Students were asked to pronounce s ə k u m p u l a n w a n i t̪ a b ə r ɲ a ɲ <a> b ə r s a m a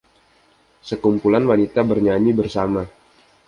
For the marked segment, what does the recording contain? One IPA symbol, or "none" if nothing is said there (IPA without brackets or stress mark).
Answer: i